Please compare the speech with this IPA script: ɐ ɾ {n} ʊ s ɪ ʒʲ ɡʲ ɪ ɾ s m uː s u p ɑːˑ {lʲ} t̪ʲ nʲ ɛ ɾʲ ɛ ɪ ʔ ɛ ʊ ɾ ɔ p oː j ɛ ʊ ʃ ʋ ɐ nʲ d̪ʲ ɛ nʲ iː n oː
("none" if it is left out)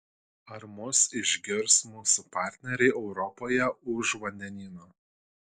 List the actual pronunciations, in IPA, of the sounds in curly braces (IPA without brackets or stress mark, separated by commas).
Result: m, ɾʲ